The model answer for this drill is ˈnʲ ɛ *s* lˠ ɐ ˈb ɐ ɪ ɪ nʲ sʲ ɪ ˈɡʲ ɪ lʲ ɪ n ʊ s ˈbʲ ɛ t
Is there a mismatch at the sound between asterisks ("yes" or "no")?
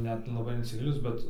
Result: yes